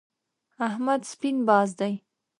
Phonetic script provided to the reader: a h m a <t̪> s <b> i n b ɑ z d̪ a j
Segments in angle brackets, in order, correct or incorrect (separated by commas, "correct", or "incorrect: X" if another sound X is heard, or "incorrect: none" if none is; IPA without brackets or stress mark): incorrect: d̪, incorrect: p